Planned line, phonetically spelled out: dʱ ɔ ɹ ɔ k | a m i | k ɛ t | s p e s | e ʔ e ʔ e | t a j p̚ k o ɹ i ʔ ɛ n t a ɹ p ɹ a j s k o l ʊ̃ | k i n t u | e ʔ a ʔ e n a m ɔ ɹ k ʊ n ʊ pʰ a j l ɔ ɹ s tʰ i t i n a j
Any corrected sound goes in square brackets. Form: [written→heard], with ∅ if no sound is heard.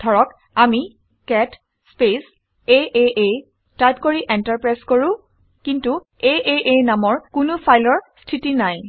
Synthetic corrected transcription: dʱ ɔ ɹ ɔ k | a m i | k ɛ t | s p e s | e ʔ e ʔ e | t a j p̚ k o ɹ i ʔ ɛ n t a ɹ p ɹ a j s k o [l→ɹ] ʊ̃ | k i n t u | e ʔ [a→e] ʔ e n a m ɔ ɹ k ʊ n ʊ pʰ a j l ɔ ɹ s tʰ i t i n a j